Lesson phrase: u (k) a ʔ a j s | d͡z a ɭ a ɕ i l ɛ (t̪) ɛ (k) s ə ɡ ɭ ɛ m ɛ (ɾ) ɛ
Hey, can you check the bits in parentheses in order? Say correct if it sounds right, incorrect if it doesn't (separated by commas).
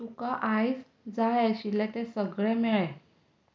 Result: correct, correct, incorrect, incorrect